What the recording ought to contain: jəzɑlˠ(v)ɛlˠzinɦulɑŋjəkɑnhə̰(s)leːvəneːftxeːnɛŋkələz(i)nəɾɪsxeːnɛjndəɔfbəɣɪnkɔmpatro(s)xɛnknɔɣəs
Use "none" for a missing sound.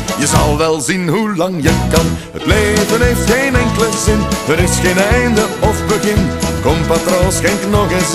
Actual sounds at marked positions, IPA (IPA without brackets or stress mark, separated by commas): ʋ, t, ɪ, s